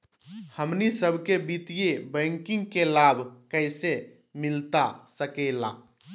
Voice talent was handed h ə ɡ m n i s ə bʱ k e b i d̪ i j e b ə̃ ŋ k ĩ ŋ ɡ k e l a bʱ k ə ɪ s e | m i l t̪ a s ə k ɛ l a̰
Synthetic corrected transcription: h ə m n i s ə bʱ k e b i t̪ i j e b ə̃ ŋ k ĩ ŋ ɡ k e l a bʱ k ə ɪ s e | m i l t̪ a s ə k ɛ l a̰